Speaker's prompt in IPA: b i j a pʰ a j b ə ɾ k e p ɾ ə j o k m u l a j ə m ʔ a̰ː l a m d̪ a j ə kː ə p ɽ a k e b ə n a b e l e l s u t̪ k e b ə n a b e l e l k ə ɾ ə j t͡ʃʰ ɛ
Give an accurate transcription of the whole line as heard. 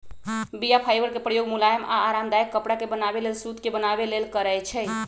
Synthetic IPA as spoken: b i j a pʰ a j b ə ɾ k e p ɾ ə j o ɡ m u l a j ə m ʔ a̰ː ɾ a m d̪ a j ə kː ə p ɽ a k e b ə n a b e l e l s u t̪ k e b ə n a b e l e l k ə ɾ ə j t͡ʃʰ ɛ